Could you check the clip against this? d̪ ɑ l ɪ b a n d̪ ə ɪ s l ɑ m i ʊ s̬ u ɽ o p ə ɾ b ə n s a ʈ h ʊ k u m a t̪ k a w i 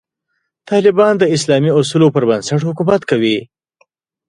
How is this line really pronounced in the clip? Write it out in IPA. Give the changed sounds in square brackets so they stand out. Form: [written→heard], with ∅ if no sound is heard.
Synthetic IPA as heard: [d̪→t̪] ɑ l ɪ b [a→ɑ] n d̪ ə ɪ s l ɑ m i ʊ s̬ u [ɽ→l] o p ə ɾ b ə n s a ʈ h ʊ k u m a t̪ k a w i